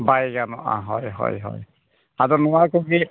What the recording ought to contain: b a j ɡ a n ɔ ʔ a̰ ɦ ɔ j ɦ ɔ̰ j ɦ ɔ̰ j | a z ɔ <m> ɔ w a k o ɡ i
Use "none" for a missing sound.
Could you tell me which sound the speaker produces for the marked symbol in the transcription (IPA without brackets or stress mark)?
n